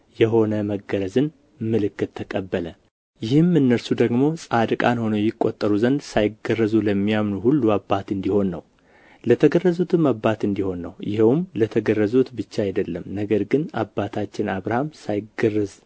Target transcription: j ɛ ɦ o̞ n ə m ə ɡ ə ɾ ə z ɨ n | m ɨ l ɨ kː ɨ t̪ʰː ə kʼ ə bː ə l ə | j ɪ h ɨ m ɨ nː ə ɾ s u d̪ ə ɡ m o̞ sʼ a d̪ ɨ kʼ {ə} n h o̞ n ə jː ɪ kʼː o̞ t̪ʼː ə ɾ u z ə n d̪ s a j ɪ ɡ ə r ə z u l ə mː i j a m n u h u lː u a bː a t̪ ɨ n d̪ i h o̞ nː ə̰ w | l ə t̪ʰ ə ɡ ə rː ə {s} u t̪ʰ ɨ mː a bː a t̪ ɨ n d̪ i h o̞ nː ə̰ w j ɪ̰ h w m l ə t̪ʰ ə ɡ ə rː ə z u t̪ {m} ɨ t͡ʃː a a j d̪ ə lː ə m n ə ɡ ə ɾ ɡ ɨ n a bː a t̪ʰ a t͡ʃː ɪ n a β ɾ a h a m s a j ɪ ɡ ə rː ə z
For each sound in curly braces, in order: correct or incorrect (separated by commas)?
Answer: incorrect, incorrect, incorrect